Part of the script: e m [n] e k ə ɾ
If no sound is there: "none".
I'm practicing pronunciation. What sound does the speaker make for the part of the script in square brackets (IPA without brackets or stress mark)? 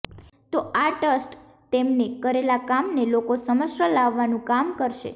n